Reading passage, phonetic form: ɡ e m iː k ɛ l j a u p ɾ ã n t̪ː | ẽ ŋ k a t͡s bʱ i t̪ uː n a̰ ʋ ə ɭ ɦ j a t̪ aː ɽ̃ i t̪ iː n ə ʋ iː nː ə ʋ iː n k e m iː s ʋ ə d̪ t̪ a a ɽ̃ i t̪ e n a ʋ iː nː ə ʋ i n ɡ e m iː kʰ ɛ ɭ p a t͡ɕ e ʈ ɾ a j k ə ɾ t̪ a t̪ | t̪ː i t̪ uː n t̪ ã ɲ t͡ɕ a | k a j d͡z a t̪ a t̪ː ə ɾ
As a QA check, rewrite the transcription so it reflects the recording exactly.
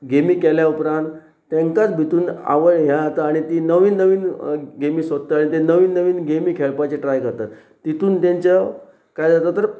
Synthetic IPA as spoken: ɡ e m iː k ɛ l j a u p ɾ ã n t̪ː | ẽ ŋ k a t͡s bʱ i t̪ uː n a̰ ʋ ə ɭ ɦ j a t̪ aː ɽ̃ i t̪ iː n ə ʋ iː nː ə ʋ iː n ɡ e m iː s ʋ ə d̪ t̪ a a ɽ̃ i t̪ e n ə ʋ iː nː ə ʋ iː n ɡ e m iː kʰ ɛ ɭ p a t͡ɕ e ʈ ɾ a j k ə ɾ t̪ a t̪ | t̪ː i t̪ uː n t̪ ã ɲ t͡ɕ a | k a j d͡z a t̪ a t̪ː ə ɾ